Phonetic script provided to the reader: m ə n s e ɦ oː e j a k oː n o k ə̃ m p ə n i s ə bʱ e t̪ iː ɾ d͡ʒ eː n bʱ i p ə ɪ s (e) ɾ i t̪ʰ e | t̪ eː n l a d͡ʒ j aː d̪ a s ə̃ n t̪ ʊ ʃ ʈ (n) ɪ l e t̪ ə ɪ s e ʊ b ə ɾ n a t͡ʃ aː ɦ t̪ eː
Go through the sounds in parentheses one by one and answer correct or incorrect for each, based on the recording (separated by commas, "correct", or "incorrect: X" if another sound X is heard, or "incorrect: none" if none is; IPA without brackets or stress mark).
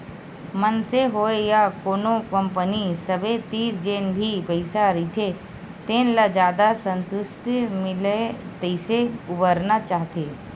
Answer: incorrect: a, incorrect: m